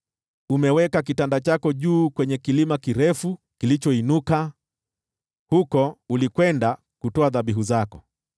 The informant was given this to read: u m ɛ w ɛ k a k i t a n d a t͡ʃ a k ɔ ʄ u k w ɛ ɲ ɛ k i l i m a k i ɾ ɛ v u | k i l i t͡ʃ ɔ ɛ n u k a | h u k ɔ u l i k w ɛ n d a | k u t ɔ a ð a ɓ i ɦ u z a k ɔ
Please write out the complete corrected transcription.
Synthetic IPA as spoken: u m ɛ w ɛ k a k i t a n d a t͡ʃ a k ɔ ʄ uː k w ɛ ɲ ɛ k i l i m a k i ɾ ɛ f u | k i l i t͡ʃ ɔ i n u k a | h u k ɔ u l i k w ɛ n d a | k u t ɔ a ð a ɓ i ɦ u z a k ɔ